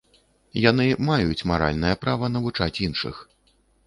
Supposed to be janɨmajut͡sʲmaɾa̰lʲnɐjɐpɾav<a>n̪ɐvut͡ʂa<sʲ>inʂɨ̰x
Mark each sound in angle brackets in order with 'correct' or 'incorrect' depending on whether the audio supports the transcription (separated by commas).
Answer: incorrect, incorrect